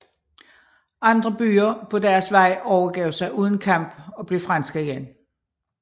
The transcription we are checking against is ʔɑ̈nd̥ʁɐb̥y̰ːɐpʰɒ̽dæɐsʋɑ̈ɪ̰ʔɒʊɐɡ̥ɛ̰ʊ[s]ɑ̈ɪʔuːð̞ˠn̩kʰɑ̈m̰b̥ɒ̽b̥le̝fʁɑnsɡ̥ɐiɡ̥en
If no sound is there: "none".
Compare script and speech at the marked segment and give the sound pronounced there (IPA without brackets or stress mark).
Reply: s